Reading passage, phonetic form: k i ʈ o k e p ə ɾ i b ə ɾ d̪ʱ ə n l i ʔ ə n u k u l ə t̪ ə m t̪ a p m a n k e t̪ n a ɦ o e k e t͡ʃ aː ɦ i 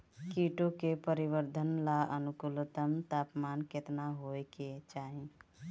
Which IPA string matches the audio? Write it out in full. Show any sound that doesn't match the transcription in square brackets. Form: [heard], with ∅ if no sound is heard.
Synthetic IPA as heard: k i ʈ o k e p ə ɾ i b ə ɾ d̪ʱ ə n l [a] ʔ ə n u k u l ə t̪ ə m t̪ a p m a n k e t̪ n a ɦ o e k e t͡ʃ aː ɦ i